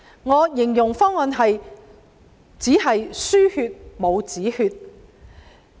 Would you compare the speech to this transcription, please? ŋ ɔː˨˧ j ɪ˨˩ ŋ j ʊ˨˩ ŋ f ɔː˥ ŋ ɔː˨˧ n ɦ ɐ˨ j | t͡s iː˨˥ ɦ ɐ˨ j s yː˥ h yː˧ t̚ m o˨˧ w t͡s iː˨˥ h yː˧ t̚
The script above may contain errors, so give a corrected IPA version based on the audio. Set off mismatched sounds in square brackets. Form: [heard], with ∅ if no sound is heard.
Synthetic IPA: ŋ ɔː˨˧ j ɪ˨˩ ŋ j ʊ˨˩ ŋ f ɔː˥ ŋ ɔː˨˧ n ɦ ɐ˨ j | t͡s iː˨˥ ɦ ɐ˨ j s yː˥ h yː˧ t̚ m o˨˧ w t͡s iː˨˥ h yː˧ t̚